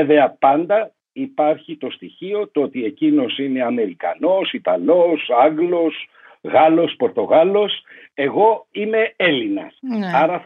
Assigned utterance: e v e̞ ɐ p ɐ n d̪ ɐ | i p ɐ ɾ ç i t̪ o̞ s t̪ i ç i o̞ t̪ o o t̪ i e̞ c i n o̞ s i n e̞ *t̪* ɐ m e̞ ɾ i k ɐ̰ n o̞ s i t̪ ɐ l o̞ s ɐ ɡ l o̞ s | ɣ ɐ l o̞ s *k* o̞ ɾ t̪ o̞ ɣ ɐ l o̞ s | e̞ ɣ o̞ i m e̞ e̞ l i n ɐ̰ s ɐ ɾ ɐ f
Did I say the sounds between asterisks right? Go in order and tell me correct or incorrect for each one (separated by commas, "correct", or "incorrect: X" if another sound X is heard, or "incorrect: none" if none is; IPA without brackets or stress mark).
incorrect: none, incorrect: p